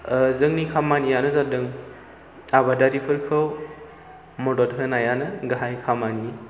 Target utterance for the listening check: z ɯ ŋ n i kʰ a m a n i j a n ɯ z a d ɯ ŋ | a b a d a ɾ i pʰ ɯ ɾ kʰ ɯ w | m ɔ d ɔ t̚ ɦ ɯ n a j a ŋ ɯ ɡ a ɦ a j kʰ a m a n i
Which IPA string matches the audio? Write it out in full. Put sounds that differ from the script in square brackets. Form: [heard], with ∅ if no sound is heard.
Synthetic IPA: z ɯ ŋ n i kʰ a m a n i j a n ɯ z a d ɯ ŋ | a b a d a ɾ i pʰ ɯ ɾ kʰ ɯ w | m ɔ d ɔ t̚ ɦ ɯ n a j a [n] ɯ ɡ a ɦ a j kʰ a m a n i